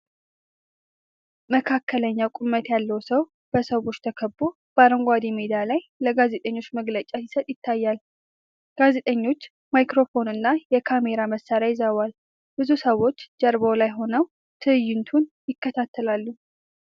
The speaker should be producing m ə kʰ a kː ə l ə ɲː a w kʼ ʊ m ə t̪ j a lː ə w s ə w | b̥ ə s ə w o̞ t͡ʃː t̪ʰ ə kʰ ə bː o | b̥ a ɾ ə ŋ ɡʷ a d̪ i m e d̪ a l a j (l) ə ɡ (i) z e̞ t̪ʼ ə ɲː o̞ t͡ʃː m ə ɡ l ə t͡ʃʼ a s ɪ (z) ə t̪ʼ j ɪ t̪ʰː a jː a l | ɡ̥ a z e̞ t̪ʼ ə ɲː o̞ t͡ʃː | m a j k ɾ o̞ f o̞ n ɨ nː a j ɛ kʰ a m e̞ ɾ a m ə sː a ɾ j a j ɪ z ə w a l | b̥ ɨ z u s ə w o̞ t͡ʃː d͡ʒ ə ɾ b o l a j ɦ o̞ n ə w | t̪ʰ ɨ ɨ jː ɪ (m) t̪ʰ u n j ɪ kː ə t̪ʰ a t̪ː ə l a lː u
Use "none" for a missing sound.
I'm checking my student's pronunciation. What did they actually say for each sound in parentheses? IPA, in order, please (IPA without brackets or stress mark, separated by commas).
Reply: l, a, s, n